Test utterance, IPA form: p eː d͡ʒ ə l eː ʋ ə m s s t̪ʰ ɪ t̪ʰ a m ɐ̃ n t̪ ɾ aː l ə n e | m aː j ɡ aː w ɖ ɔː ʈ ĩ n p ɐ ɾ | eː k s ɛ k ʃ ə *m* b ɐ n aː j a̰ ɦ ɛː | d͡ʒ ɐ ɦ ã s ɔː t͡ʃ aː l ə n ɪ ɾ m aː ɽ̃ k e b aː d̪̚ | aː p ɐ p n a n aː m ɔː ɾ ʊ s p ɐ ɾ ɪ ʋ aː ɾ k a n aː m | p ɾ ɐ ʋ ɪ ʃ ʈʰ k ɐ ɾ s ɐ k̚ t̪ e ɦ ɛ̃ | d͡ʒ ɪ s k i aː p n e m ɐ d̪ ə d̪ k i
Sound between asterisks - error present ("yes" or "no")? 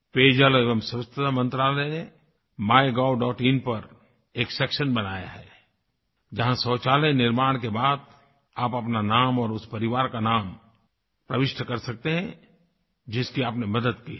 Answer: yes